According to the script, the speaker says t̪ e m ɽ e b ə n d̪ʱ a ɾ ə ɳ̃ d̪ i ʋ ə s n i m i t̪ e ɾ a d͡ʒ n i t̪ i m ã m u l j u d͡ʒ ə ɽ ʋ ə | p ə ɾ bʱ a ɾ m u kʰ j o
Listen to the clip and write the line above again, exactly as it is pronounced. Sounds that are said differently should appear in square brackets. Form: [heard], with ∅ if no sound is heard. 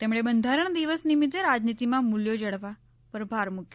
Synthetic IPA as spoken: t̪ e m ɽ e b ə n d̪ʱ a ɾ ə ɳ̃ d̪ i ʋ ə s n i m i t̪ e ɾ a d͡ʒ n i t̪ i m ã m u l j [o] d͡ʒ ə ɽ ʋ [a] | p ə ɾ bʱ a ɾ m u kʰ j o

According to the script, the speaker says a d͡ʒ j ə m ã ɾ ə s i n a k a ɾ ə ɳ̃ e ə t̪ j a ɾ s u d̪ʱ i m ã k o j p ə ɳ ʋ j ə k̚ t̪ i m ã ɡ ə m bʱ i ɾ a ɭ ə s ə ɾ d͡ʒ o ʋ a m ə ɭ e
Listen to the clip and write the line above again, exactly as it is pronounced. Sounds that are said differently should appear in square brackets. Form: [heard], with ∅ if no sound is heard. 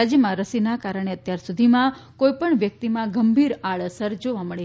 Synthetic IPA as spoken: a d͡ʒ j ə m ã ɾ ə s i n a k a ɾ ə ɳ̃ e ə t̪ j a ɾ s u d̪ʱ i m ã k o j p ə ɳ ʋ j ə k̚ t̪ i m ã ɡ ə m bʱ i ɾ a ɭ ə s ə ɾ d͡ʒ o ʋ a m ə ɭ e

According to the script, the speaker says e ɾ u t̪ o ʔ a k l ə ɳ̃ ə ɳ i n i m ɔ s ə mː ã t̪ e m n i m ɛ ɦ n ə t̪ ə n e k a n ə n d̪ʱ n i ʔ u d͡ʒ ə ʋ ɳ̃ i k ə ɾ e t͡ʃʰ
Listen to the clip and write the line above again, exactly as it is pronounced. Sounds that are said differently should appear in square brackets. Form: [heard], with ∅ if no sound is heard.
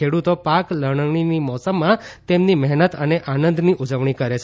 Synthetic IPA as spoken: e [ɽ] u t̪ o [p] a k l ə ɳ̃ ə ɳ i n i m ɔ s ə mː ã t̪ e m n i m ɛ ɦ n ə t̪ ə n e [ʔ] a n ə n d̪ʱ n i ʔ u d͡ʒ ə ʋ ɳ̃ i k ə ɾ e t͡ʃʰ

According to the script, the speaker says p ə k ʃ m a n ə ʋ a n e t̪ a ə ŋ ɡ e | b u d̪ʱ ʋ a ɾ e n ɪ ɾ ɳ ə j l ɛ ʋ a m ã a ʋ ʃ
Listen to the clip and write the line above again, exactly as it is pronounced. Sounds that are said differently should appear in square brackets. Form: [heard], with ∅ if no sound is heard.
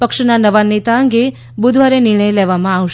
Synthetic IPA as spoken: p ə k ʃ [n] a n ə ʋ a n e t̪ a ə ŋ ɡ e | b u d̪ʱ ʋ a ɾ e n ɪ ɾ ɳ ə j l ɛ ʋ a m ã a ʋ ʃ

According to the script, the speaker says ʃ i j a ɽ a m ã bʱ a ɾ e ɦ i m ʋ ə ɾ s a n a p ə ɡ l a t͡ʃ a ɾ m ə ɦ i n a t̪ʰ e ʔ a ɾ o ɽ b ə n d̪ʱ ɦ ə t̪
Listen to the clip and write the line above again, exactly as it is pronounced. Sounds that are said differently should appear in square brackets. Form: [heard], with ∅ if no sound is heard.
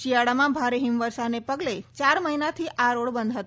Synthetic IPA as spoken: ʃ i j a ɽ a m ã bʱ a ɾ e ɦ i m ʋ ə ɾ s a n [e] p ə ɡ l [e] t͡ʃ a ɾ m ə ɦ i n a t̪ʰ [i] ʔ a ɾ o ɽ b ə n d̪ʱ ɦ ə t̪

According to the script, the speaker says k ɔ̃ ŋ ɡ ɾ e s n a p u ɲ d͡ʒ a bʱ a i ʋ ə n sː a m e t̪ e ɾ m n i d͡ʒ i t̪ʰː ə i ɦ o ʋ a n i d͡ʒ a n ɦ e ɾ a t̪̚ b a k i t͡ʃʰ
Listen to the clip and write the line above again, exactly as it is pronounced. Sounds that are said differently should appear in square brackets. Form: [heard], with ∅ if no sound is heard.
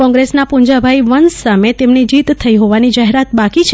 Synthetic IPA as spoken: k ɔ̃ ŋ ɡ ɾ e s n a p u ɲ d͡ʒ a bʱ a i ʋ ə n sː a m e t̪ e [∅] m n i d͡ʒ i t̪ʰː ə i ɦ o ʋ a n i d͡ʒ a [∅] ɦ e ɾ a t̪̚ b a k i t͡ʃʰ

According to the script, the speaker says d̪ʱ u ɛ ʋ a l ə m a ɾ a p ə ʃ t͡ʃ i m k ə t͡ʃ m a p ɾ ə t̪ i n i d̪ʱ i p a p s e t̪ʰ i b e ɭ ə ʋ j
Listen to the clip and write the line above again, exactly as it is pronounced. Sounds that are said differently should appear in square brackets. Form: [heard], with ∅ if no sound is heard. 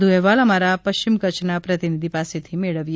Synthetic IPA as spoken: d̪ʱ u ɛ ʋ a l ə m a ɾ a p ə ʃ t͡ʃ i m k ə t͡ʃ [n] a p ɾ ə t̪ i n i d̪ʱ i p a [∅] s e t̪ʰ i [m] e ɭ ə ʋ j

